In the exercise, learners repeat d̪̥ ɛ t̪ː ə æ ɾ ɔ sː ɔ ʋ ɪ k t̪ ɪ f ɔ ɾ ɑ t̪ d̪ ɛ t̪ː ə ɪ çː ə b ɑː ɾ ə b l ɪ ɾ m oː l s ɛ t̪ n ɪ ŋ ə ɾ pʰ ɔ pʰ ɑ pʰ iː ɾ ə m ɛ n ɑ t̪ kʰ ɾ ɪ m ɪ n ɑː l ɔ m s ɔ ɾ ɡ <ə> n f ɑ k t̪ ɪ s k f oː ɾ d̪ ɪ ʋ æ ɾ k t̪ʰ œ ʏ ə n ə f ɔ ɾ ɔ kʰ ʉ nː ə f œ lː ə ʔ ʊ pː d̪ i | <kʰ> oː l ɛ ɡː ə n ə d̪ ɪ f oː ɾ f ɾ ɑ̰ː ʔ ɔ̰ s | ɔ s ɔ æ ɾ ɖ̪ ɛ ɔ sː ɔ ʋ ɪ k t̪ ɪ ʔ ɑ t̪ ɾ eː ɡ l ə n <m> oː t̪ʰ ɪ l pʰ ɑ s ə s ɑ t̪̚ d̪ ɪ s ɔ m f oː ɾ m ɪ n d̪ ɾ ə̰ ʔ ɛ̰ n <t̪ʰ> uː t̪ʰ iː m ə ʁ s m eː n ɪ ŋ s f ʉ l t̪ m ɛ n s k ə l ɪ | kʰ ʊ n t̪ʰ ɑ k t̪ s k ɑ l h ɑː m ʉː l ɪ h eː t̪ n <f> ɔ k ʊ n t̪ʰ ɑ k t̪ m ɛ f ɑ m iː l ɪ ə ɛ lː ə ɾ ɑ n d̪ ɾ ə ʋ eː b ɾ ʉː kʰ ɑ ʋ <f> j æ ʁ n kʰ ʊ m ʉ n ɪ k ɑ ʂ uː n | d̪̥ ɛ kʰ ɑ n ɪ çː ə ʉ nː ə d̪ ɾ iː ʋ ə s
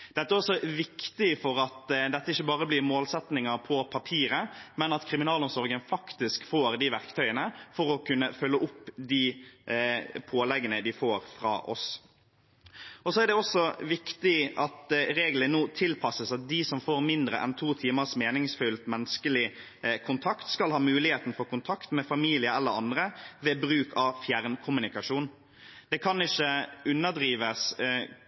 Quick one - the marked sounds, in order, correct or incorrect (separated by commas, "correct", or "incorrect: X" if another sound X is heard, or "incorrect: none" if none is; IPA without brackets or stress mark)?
correct, incorrect: pʰ, incorrect: n, correct, correct, correct